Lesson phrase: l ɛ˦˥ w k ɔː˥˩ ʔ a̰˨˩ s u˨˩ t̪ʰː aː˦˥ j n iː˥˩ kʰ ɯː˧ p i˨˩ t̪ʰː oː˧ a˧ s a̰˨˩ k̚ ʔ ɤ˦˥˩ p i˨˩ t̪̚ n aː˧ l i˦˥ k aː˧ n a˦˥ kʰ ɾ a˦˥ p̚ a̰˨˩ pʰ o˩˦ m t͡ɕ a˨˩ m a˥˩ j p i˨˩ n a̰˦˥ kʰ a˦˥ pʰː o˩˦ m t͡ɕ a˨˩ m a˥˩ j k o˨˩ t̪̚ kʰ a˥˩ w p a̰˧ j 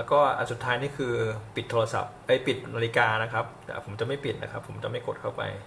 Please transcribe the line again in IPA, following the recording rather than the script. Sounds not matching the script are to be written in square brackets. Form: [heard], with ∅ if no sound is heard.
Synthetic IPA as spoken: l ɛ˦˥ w k ɔː˥˩ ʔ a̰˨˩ s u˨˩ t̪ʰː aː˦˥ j n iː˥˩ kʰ ɯː˧ p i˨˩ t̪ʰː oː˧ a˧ s a̰˨˩ [p̚] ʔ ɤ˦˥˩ p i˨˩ t̪̚ n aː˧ l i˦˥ k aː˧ n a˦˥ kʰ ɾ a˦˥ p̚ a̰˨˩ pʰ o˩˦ m t͡ɕ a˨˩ m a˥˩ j p i˨˩ n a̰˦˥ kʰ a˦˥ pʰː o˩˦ m t͡ɕ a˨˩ m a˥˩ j k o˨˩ t̪̚ kʰ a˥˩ w p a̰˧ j